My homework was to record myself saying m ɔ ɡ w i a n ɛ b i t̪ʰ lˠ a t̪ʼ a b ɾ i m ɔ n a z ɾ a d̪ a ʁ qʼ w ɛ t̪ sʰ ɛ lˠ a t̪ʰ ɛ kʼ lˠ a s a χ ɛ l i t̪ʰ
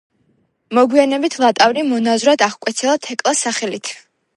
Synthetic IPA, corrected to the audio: m ɔ ɡ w i a n ɛ b i t̪ʰ lˠ a t̪ʼ a v ɾ i m ɔ n a z ɾ a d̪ a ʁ kʼ w ɛ t̪ sʰ ɛ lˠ a t̪ʰ ɛ kʼ lˠ a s a χ ɛ l i t̪ʰ